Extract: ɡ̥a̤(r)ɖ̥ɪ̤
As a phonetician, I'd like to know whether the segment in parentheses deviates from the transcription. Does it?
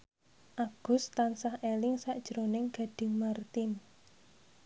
yes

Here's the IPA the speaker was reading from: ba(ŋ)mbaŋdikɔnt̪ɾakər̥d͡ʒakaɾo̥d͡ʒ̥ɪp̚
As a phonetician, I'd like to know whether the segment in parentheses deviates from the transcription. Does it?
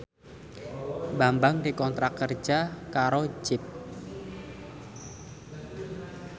yes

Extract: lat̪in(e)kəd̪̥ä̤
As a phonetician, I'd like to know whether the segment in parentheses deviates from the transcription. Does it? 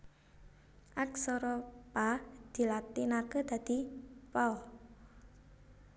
yes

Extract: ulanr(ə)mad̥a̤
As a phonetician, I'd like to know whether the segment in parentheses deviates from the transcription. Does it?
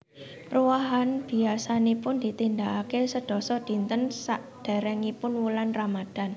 yes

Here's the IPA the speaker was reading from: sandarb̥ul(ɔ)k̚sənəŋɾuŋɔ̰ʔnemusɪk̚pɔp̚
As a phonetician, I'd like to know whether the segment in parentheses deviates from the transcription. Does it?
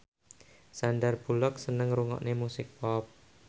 no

